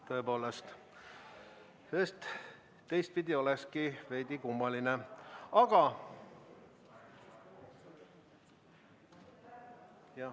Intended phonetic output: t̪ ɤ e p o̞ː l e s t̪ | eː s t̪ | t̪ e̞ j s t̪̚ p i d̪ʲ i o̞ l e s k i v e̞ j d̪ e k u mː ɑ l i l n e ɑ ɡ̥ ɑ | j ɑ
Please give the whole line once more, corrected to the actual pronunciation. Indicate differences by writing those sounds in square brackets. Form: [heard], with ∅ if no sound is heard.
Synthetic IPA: t̪ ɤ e p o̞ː l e s t̪ | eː s t̪ | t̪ e̞ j s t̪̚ p i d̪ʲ i o̞ l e s k i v e̞ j d̪ [i] k u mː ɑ l i [∅] n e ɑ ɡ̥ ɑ | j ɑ